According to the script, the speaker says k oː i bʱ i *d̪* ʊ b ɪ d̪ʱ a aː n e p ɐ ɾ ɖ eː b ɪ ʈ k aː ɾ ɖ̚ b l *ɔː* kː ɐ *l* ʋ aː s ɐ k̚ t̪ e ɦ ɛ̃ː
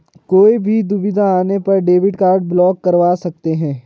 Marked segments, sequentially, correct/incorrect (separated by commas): correct, correct, incorrect